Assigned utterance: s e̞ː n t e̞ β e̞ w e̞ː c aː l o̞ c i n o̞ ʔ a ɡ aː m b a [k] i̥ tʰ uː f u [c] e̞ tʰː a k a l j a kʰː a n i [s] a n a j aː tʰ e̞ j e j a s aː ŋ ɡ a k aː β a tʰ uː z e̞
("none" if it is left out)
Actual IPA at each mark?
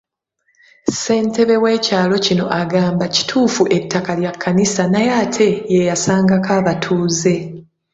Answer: c, ʔ, s

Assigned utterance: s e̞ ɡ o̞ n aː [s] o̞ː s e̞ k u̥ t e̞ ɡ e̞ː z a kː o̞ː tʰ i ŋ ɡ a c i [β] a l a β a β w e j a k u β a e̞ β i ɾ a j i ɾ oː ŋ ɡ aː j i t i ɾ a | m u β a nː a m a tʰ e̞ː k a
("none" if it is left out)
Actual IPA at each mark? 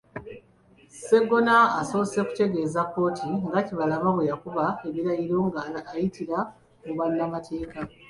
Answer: s, β

